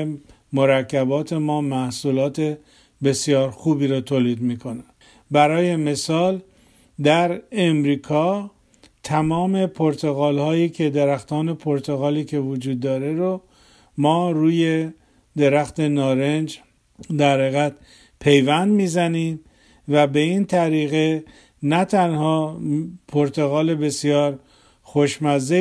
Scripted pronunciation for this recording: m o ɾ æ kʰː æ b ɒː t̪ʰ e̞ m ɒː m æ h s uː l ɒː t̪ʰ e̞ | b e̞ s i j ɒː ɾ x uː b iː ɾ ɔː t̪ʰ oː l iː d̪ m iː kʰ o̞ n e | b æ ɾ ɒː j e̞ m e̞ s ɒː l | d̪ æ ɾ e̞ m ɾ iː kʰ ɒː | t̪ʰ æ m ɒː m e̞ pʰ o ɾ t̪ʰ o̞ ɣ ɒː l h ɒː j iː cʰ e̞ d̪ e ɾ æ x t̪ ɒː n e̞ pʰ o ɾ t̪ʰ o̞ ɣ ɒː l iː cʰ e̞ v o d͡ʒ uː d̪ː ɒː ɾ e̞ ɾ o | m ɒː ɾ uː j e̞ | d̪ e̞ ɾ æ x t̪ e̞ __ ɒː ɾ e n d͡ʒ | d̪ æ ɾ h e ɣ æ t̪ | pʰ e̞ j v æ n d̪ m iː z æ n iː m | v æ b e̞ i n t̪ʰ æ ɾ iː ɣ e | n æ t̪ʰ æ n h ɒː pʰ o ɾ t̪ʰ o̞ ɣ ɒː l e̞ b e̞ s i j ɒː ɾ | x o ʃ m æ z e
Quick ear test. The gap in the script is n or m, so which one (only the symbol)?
n